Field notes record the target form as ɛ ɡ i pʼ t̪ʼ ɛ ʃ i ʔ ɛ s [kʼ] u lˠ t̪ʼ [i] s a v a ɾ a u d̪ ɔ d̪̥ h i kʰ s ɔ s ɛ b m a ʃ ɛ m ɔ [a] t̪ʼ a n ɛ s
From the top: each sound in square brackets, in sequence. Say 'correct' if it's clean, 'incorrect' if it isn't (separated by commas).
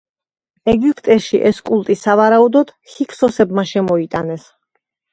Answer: correct, correct, incorrect